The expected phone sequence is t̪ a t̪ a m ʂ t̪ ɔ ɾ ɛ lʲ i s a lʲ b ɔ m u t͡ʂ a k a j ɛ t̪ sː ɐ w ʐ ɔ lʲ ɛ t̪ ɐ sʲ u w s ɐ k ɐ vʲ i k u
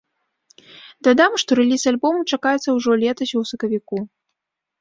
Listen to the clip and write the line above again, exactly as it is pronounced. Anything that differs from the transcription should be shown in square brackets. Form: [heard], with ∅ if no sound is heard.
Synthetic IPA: [d̪] a [d̪] a m ʂ t̪ ɔ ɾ ɛ lʲ i s a lʲ b ɔ m u t͡ʂ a k a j ɛ t̪ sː ɐ w ʐ ɔ lʲ ɛ t̪ ɐ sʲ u w s ɐ k ɐ vʲ i k u